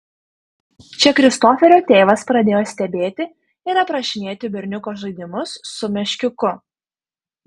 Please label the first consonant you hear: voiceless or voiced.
voiceless